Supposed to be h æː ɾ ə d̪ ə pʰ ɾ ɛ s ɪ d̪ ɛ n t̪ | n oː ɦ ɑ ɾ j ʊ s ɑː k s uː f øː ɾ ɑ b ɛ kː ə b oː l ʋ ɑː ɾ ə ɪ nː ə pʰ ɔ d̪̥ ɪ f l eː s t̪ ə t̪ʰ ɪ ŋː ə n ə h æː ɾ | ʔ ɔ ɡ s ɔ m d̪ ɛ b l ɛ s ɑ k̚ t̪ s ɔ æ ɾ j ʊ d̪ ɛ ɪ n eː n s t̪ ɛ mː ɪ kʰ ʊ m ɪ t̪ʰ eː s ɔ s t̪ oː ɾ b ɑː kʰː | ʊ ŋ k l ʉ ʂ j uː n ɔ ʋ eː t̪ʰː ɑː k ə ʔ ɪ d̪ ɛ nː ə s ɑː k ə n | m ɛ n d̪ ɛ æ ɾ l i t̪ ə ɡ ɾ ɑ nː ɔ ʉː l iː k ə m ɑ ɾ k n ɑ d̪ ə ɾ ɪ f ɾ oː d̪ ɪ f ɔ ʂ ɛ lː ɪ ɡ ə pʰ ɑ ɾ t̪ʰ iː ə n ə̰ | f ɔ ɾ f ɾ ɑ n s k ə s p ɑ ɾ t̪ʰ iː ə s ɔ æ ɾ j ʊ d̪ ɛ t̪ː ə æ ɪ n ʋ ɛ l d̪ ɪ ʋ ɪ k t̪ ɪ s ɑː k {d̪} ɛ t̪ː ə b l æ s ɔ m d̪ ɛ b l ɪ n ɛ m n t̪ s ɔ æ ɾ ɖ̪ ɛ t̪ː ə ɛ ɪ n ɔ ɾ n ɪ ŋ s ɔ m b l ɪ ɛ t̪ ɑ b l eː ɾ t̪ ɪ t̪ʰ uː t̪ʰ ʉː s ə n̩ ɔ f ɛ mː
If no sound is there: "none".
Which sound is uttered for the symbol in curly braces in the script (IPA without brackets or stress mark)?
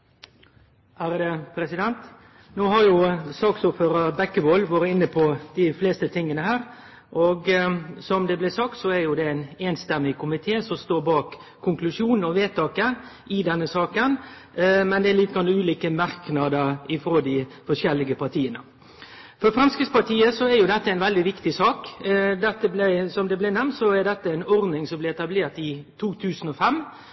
d̪